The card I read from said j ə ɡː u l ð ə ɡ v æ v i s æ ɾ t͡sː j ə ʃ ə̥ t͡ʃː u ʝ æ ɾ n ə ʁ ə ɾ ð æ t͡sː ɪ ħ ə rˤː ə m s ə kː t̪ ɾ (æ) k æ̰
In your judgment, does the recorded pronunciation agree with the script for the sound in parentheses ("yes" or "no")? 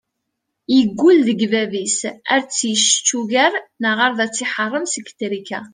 no